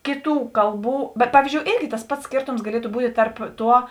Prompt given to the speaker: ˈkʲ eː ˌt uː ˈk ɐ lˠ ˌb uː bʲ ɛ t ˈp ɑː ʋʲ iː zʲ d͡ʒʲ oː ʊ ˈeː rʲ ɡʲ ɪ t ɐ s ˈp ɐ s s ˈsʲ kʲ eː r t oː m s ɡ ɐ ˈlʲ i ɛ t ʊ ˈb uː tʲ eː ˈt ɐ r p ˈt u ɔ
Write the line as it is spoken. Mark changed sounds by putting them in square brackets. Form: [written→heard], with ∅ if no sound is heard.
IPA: ˈkʲ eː ˌt uː ˈk ɐ lˠ ˌb uː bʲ ɛ t ˈp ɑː ʋʲ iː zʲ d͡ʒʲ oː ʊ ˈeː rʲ ɡʲ ɪ t ɐ s ˈp ɐ [s→t] s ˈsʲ kʲ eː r t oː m s ɡ ɐ ˈlʲ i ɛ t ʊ ˈb uː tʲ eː ˈt ɐ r p ˈt u ɔ